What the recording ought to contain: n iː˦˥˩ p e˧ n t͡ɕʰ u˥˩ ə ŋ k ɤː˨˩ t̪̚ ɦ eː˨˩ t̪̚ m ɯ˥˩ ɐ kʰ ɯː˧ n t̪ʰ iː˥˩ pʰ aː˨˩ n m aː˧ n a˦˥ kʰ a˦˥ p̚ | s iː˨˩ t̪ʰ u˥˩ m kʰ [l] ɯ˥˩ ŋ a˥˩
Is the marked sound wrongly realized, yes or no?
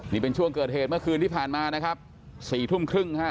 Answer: yes